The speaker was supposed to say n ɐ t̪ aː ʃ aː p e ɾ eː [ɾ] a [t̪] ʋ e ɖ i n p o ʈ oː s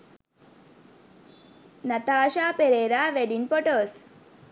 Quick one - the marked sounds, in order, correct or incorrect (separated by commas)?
correct, incorrect